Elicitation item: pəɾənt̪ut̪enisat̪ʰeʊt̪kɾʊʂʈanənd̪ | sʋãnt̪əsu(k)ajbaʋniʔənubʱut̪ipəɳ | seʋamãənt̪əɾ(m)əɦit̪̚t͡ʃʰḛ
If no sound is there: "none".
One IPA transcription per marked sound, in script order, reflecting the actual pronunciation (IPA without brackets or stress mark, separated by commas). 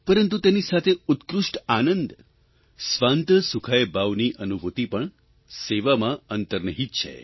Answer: kʰ, n